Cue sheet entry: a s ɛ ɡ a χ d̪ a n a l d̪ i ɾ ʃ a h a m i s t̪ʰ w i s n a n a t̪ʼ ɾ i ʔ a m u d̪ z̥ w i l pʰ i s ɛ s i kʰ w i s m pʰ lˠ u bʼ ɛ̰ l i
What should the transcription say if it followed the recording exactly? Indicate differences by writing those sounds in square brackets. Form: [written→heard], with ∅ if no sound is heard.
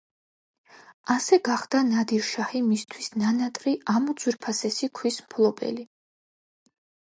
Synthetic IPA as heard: a s ɛ ɡ a χ d̪ a n a [l→∅] d̪ i ɾ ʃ a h [a→i] m i s t̪ʰ w i s n a n a t̪ʼ ɾ i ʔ a m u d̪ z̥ w i [l→ɾ] pʰ [i→a] s ɛ s i kʰ w i s m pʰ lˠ [u→ɔ] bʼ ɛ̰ l i

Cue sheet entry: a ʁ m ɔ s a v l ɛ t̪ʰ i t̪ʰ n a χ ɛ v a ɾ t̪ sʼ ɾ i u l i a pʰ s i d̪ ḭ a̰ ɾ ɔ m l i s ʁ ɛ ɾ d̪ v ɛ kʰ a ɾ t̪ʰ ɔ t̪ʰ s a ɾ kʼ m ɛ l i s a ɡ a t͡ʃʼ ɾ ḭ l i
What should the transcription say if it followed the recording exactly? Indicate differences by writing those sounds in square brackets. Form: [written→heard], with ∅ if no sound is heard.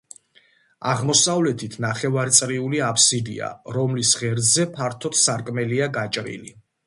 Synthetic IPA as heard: a ʁ m ɔ s a v l ɛ t̪ʰ i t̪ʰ n a χ ɛ v a ɾ t̪ sʼ ɾ i u l i a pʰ s i d̪ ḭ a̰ ɾ ɔ m l i s ʁ ɛ ɾ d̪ [v→z] ɛ [kʰ→pʰ] a ɾ t̪ʰ ɔ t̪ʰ s a ɾ kʼ m ɛ l i [s→∅] a ɡ a t͡ʃʼ ɾ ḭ l i

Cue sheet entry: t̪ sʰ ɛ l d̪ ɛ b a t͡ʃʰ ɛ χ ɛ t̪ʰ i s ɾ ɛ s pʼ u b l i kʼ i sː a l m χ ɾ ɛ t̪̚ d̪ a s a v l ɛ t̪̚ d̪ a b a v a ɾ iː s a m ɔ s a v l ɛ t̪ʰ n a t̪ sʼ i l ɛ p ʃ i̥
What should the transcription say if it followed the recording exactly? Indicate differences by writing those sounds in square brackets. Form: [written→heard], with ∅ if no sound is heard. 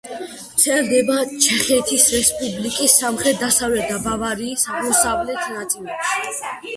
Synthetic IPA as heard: t̪ sʰ ɛ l d̪ ɛ b a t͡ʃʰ ɛ χ ɛ t̪ʰ i s ɾ ɛ s pʼ u b l i kʼ i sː a [l→∅] m χ ɾ ɛ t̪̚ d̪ a s a v l ɛ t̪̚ d̪ a b a v a ɾ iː s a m ɔ s a v l ɛ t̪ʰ n a t̪ sʼ i l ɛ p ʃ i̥

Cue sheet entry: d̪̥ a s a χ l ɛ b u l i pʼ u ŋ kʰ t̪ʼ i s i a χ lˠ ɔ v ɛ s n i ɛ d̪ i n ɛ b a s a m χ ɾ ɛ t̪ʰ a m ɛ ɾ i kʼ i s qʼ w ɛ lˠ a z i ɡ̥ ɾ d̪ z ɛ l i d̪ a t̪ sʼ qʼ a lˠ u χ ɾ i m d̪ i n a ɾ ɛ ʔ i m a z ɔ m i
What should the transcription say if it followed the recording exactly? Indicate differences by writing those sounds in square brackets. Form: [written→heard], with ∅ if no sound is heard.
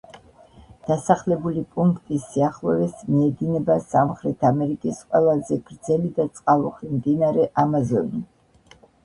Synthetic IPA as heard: d̪̥ a s a χ l ɛ b u l i pʼ u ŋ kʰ t̪ʼ i s i a χ lˠ ɔ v ɛ s [n→m] i ɛ d̪ i n ɛ b a s a m χ ɾ ɛ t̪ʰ a m ɛ ɾ i kʼ i s qʼ w ɛ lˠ a z [i→ɛ] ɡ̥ ɾ d̪ z ɛ l i d̪ a t̪ sʼ qʼ a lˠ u χ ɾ i m d̪ i n a ɾ ɛ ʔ [i→a] m a z ɔ [m→n] i

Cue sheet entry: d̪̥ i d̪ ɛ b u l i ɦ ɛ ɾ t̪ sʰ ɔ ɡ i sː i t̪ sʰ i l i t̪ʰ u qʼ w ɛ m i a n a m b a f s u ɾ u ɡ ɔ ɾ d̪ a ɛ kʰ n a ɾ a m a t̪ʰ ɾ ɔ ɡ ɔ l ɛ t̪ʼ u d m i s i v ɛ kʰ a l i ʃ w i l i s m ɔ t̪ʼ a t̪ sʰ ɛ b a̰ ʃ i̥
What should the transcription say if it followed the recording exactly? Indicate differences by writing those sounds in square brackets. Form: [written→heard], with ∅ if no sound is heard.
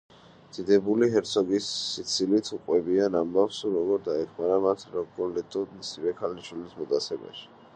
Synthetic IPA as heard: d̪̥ i d̪ ɛ b u l i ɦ ɛ ɾ t̪ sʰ ɔ ɡ i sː i t̪ sʰ i l i t̪ʰ u qʼ w ɛ [m→b] i a n a m b a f s u ɾ [u→ɔ] ɡ ɔ ɾ d̪ a ɛ kʰ [n→m] a ɾ a m a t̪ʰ ɾ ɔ ɡ ɔ l ɛ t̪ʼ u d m i s i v ɛ kʰ a l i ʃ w i l i s m ɔ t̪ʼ a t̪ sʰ ɛ b a̰ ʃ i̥

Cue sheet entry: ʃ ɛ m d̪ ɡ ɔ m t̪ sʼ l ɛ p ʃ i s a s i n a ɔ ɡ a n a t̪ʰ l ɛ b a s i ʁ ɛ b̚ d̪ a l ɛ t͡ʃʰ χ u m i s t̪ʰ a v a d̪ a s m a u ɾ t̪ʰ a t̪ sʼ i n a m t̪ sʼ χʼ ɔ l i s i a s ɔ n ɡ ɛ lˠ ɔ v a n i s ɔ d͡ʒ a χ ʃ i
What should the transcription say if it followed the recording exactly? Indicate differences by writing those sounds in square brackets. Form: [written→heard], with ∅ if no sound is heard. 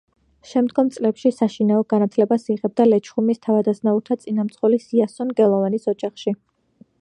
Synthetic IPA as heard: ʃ ɛ m d̪ ɡ ɔ m t̪ sʼ l ɛ p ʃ i s a [s→ʃ] i n a ɔ ɡ a n a t̪ʰ l ɛ b a s i ʁ ɛ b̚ d̪ a l ɛ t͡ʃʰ χ u m i s t̪ʰ a v a d̪ a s [m→n] a u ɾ t̪ʰ a t̪ sʼ i n a m t̪ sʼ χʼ ɔ l i s i a s ɔ n ɡ ɛ lˠ ɔ v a n i s ɔ d͡ʒ a χ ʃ i

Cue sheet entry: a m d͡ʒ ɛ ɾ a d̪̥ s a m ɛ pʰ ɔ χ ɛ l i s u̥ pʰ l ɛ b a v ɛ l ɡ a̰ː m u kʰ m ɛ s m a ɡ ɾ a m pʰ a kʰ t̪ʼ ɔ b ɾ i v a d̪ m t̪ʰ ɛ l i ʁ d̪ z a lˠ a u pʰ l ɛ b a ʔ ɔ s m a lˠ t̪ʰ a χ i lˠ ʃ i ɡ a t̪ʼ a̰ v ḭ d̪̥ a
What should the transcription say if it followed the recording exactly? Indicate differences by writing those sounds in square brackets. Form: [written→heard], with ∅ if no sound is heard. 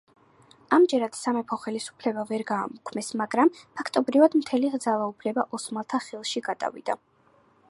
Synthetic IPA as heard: a m d͡ʒ ɛ ɾ a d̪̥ s a m ɛ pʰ ɔ χ ɛ l i s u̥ pʰ l ɛ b a v ɛ [l→ɾ] ɡ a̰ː m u kʰ m ɛ s m a ɡ ɾ a m pʰ a kʰ t̪ʼ ɔ b ɾ i v a d̪ m t̪ʰ ɛ l i ʁ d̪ z a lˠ a u pʰ l ɛ b a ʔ ɔ s m a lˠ t̪ʰ a χ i lˠ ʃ i ɡ a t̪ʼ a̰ v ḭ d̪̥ a

